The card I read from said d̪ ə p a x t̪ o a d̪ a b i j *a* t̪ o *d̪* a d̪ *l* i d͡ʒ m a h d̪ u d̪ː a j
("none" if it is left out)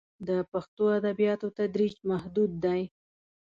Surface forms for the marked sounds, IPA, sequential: ɑ, t̪, ɾ

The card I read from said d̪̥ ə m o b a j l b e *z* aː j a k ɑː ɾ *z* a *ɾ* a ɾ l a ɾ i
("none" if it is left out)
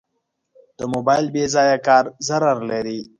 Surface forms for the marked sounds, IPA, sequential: z, z, ɾ

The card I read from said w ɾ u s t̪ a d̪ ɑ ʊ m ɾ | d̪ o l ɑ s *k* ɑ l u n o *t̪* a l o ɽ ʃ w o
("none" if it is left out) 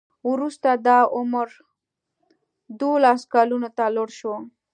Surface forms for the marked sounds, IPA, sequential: k, t̪

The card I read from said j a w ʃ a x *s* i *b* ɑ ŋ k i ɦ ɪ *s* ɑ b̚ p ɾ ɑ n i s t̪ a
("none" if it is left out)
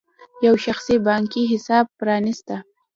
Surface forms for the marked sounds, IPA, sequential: s, b, s

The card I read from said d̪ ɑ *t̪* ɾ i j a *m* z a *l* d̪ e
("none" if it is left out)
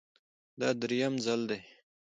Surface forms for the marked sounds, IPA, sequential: d̪, m, l

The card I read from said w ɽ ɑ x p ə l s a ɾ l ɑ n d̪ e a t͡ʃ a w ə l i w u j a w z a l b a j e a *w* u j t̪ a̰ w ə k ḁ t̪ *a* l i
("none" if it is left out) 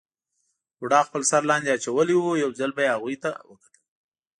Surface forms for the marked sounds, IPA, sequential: ɣ, ə

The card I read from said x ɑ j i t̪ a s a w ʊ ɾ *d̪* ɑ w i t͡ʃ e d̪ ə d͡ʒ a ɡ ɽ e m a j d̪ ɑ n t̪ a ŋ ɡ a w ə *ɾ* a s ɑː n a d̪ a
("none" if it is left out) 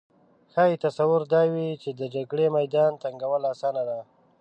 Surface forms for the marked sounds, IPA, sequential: d̪, l

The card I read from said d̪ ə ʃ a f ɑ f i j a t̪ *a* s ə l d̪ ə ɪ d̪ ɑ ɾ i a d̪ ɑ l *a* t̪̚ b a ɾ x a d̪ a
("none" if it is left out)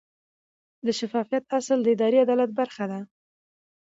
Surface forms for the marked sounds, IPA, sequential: a, a

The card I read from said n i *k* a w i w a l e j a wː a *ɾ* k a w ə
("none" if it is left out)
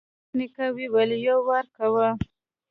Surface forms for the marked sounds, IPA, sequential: k, ɾ

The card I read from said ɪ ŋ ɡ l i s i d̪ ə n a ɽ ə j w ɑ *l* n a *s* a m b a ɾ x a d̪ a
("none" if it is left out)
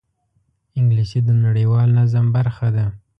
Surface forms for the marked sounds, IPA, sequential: l, z

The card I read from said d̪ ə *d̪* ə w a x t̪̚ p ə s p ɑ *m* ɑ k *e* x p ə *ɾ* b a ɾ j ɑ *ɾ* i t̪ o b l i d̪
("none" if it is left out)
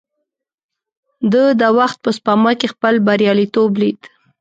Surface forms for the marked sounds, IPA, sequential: d̪, m, e, l, l

